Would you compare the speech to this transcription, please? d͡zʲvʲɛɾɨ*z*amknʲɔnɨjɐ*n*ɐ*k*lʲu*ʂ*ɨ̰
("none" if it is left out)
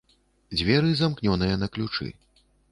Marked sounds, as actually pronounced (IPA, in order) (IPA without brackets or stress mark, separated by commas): z, n, k, t͡ʂ